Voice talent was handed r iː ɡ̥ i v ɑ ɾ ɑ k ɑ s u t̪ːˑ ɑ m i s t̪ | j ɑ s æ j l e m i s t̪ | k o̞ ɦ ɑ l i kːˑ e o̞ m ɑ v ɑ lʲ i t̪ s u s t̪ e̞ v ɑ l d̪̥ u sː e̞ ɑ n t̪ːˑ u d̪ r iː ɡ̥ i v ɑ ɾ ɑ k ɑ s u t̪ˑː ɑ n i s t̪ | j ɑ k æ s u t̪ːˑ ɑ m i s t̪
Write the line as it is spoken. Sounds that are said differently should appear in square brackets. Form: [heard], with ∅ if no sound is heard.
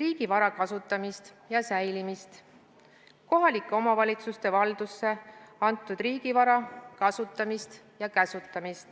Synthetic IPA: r iː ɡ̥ i v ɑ ɾ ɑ k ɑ s u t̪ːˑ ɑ m i s t̪ | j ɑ s æ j l [i] m i s t̪ | k o̞ ɦ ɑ l i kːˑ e o̞ m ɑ v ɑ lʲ i t̪ s u s t̪ e̞ v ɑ l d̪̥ u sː e̞ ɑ n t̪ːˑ u d̪ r iː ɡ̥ i v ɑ ɾ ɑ k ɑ s u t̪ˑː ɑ [m] i s t̪ | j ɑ k æ s u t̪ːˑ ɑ m i s t̪